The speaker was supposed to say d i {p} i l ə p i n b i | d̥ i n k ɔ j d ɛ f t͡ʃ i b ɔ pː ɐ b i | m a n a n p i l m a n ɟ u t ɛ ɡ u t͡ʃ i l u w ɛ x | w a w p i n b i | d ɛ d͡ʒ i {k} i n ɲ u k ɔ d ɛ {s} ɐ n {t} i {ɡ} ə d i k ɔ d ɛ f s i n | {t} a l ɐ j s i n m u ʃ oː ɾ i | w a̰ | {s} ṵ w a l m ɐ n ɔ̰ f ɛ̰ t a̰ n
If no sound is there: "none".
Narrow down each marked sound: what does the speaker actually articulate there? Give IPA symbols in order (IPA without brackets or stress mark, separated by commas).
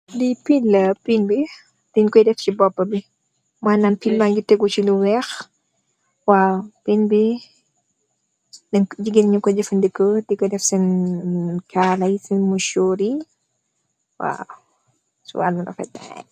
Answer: p, ɡ, f, d, k, k, s